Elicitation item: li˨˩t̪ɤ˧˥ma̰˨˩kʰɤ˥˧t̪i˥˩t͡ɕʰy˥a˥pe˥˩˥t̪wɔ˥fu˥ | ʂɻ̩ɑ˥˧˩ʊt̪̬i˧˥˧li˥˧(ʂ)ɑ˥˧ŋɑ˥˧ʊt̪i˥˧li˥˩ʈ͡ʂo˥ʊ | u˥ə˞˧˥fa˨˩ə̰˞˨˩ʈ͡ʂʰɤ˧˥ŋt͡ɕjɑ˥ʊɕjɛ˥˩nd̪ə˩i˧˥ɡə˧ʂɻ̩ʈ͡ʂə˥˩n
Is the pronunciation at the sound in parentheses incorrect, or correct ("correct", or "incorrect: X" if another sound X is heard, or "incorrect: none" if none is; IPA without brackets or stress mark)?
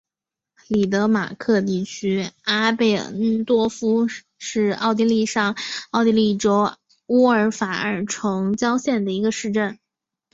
correct